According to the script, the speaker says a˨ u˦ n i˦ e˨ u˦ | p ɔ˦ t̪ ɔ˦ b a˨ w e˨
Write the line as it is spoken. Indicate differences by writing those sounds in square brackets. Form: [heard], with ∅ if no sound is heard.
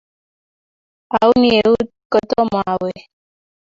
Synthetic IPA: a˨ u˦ n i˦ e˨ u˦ | [k] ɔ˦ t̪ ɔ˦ [m] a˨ w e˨